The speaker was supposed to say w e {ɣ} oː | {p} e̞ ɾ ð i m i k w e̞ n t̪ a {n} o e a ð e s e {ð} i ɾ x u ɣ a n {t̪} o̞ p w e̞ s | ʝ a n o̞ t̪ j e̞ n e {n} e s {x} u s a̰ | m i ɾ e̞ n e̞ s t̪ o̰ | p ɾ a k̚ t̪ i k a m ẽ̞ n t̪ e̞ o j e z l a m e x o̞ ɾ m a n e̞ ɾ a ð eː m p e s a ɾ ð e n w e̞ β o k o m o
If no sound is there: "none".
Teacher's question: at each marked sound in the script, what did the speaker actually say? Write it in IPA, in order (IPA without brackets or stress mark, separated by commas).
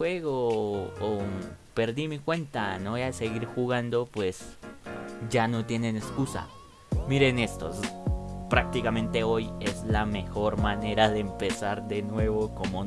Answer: ɣ, p, n, ɣ, d̪, n, k